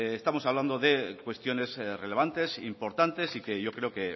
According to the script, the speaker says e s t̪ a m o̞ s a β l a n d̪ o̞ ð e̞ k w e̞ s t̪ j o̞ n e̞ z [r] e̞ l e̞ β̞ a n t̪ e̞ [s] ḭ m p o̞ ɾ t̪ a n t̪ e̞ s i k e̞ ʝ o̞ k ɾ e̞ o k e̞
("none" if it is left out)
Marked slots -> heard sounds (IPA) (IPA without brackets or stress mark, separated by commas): r, s